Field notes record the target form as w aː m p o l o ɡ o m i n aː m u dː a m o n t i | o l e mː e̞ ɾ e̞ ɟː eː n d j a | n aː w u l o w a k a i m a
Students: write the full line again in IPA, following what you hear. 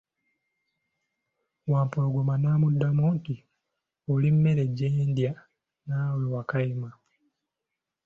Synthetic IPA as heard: w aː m p o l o ɡ o m a n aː m u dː a m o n t i | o l i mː e̞ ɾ e̞ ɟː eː n d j a | n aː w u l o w a k a i m a